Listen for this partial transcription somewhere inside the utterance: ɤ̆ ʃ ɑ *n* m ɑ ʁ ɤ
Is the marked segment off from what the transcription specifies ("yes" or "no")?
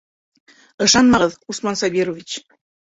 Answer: no